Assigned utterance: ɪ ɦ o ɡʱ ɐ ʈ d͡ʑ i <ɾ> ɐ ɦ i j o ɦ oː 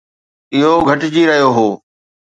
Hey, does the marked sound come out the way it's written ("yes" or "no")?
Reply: yes